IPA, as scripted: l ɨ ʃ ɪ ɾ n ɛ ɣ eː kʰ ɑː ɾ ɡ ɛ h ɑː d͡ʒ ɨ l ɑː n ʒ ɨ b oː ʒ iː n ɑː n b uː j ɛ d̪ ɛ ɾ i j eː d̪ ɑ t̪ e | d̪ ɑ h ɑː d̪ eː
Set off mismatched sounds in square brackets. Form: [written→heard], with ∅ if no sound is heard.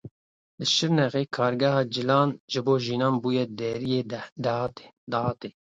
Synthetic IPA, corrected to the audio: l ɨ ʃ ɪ ɾ n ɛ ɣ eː kʰ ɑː ɾ ɡ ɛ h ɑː d͡ʒ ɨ l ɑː n ʒ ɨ b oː ʒ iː n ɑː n b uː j ɛ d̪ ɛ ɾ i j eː d̪ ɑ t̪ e | d̪ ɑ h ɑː [d̪→t̪] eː